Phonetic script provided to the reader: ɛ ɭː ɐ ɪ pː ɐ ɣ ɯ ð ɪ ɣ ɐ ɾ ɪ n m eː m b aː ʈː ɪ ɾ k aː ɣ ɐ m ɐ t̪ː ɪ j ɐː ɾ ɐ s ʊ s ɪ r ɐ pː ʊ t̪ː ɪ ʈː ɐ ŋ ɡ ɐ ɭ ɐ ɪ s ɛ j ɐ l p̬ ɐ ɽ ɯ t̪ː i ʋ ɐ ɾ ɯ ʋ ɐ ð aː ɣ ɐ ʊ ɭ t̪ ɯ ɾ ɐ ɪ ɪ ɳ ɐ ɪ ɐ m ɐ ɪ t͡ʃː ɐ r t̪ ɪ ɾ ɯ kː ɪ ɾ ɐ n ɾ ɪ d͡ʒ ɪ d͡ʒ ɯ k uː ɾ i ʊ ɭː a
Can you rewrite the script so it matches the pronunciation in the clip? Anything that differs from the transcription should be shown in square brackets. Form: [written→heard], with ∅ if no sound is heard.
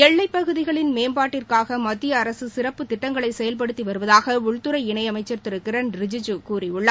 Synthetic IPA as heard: ɛ ɭː ɐ ɪ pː ɐ ɣ ɯ ð ɪ ɣ ɐ [ɾ→ɭ] ɪ n m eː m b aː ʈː ɪ [ɾ→r] k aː ɣ ɐ m ɐ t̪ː ɪ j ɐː ɾ ɐ s [ʊ→ɯ] s ɪ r ɐ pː [ʊ→ɯ] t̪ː ɪ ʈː ɐ ŋ ɡ ɐ ɭ ɐ ɪ s ɛ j ɐ l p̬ ɐ ɽ ɯ t̪ː i ʋ ɐ ɾ ɯ ʋ ɐ ð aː ɣ ɐ ʊ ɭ t̪ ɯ ɾ ɐ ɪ ɪ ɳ ɐ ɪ ɐ m ɐ ɪ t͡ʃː ɐ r t̪ ɪ ɾ ɯ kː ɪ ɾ ɐ n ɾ ɪ d͡ʒ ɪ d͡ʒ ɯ k uː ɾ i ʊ ɭː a